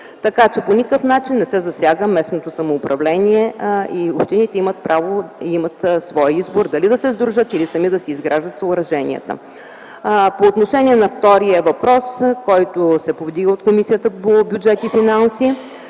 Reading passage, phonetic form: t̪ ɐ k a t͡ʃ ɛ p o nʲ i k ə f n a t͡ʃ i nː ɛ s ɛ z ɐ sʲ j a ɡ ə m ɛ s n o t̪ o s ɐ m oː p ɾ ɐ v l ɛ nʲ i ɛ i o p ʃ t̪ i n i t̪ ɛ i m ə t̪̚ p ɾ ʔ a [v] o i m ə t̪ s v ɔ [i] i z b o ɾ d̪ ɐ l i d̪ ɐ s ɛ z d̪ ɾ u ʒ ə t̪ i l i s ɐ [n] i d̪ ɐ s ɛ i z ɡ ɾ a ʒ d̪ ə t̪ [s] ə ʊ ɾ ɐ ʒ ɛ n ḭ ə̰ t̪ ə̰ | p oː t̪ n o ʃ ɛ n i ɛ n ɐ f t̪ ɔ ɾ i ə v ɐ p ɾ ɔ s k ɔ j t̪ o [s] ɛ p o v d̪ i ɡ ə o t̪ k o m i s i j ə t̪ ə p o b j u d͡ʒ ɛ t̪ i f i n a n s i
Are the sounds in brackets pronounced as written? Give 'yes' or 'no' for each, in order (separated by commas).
yes, no, no, yes, yes